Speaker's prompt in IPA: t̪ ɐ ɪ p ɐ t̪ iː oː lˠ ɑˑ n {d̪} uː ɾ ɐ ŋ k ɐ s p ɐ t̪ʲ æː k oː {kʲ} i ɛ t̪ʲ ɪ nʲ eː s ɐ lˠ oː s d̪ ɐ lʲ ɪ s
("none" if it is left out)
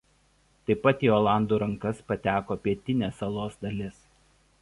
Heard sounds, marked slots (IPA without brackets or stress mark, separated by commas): d̪, pʲ